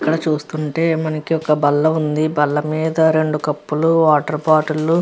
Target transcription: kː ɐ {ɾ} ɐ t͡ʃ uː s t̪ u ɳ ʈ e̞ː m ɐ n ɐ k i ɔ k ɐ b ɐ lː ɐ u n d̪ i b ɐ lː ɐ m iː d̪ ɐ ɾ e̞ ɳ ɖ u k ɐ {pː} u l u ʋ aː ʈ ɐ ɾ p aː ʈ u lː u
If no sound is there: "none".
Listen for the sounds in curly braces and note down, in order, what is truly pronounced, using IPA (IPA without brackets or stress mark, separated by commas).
ɽ, pː